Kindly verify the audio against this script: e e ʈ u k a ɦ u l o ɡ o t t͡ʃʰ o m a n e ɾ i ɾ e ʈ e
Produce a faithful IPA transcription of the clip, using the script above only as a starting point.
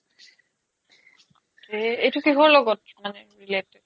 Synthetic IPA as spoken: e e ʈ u k i ɦ o l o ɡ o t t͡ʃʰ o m a n e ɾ i l e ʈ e